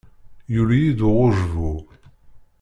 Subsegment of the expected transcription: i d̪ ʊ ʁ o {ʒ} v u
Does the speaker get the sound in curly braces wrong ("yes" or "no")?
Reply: no